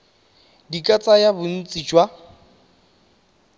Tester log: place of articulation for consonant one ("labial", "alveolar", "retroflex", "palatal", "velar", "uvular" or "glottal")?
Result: alveolar